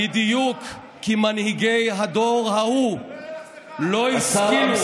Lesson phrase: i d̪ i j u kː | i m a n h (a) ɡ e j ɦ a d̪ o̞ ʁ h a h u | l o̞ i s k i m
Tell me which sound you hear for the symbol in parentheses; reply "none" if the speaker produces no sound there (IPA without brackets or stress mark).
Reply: i